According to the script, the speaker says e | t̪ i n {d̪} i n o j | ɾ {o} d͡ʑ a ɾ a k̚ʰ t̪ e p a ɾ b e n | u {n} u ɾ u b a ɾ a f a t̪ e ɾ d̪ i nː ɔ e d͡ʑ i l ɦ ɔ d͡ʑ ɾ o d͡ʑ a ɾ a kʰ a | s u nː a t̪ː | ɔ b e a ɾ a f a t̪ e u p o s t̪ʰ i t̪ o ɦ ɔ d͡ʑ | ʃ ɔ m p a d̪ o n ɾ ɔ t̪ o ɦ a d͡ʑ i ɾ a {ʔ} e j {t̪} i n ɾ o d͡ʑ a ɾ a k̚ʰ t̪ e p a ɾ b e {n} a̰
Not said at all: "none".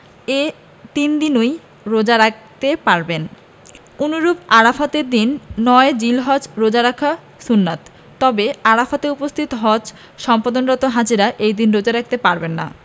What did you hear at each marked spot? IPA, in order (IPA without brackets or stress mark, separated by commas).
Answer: d̪, o, n, ʔ, d̪, nː